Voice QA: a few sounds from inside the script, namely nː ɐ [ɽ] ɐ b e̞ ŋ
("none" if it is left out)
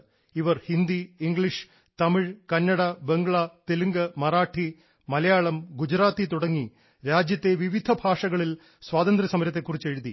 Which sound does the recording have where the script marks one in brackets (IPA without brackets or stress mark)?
ɽ